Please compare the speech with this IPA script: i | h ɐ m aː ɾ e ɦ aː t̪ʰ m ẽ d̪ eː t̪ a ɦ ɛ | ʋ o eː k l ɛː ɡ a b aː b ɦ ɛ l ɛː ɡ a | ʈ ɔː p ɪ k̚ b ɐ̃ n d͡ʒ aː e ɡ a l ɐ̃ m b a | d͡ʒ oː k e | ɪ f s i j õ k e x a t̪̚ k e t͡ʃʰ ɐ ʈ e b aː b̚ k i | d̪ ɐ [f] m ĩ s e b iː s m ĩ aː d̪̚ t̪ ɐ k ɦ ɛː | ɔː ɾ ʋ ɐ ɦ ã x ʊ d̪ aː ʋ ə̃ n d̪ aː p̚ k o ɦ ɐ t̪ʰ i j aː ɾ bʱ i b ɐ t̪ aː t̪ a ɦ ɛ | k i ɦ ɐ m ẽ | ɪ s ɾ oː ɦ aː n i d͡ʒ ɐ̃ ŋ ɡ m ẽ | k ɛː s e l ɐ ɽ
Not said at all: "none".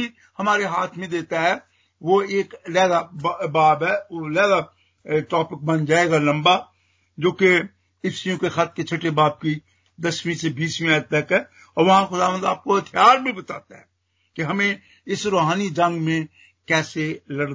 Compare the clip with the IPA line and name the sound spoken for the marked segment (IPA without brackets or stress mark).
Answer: s